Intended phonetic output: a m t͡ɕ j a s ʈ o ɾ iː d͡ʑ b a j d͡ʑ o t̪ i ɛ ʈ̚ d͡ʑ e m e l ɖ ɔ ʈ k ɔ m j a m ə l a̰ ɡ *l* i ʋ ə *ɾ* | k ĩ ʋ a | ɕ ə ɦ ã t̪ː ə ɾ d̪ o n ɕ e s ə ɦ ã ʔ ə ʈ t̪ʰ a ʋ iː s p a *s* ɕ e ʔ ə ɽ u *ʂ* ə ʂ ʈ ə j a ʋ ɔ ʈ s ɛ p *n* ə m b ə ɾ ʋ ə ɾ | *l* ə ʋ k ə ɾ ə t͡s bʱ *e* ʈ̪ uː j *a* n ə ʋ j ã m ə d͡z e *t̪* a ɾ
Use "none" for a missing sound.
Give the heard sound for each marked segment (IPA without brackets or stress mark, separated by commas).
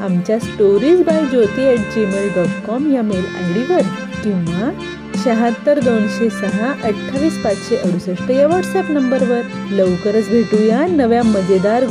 ɽ, ɾ, t͡s, s, n, l, e, a, d̪